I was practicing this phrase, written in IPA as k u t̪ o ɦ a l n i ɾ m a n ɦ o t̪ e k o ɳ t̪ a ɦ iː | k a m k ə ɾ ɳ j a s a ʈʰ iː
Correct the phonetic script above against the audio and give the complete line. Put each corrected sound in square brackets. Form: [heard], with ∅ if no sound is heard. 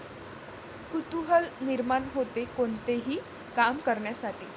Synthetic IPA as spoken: k u t̪ [u] ɦ [ə] l n i ɾ m a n ɦ o t̪ e k o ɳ t̪ [e] ɦ iː | k a m k ə ɾ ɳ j a s a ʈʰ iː

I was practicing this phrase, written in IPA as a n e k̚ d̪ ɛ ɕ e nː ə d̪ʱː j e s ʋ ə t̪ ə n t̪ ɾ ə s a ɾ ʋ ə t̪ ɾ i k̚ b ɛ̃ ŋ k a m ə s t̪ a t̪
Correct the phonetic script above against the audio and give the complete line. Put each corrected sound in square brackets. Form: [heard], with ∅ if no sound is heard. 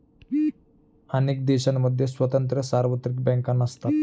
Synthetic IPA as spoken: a n e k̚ d̪ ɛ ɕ [a] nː ə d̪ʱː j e s ʋ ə t̪ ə n t̪ ɾ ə s a ɾ ʋ ə t̪ ɾ i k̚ b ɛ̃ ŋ k a [n] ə s t̪ a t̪

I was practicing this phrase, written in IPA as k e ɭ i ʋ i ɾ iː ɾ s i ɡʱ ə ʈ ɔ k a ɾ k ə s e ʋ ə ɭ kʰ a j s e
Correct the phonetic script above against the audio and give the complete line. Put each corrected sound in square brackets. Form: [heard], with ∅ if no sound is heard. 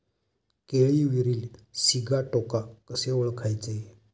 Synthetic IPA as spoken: k e ɭ i ʋ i ɾ iː [l] s i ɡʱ [a] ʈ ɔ k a [∅] k ə s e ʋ ə ɭ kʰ a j [t͡s] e

